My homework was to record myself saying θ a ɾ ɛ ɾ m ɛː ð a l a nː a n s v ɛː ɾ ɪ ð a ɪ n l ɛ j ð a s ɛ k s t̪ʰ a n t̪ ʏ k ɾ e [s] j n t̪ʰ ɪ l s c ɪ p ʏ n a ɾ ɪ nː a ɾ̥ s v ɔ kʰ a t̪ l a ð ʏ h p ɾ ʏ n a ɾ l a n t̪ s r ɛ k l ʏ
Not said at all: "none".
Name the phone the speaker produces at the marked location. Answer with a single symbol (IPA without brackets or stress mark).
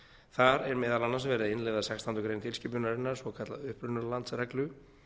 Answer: none